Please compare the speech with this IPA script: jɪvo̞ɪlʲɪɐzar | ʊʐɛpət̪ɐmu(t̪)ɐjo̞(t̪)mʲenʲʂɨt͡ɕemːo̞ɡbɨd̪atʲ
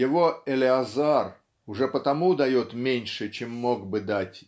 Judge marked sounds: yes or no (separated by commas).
no, yes